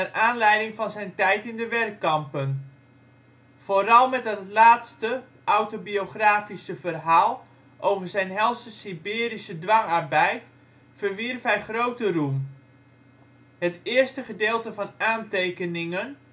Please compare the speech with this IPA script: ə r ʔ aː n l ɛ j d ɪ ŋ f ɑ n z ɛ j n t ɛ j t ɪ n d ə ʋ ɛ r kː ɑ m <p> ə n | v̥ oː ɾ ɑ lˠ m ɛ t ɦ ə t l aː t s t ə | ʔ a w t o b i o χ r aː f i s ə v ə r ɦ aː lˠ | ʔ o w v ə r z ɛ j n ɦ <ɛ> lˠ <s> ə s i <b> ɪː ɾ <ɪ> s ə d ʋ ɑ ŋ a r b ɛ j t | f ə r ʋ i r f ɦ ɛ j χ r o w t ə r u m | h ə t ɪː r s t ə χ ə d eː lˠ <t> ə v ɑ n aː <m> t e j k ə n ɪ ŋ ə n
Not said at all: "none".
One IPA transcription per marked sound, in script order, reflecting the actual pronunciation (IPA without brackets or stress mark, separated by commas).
p, ɛ, s, b, i, t, n